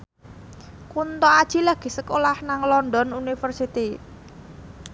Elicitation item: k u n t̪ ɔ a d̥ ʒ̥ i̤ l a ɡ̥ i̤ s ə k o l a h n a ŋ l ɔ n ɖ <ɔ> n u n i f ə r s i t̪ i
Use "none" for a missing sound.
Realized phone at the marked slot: ɔ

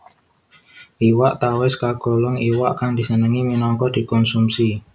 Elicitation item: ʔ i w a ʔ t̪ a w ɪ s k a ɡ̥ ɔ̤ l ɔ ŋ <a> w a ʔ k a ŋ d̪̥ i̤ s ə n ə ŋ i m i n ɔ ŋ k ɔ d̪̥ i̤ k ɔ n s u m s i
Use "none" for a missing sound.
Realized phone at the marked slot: i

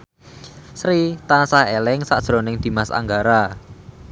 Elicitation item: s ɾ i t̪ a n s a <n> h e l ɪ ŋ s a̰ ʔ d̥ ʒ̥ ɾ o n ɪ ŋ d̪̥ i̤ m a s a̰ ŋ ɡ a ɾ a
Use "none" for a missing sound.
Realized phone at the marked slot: none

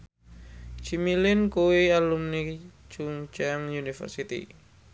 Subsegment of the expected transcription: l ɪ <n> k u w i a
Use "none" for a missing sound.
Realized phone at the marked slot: n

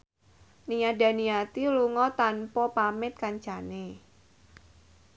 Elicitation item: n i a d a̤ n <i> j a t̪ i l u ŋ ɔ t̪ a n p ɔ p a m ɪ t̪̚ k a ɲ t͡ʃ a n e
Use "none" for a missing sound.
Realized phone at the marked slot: i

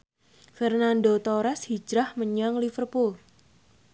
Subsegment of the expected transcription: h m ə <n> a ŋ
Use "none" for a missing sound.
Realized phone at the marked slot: ɲ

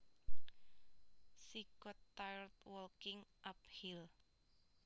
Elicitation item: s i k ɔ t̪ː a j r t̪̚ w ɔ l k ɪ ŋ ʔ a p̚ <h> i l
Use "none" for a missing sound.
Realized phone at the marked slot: h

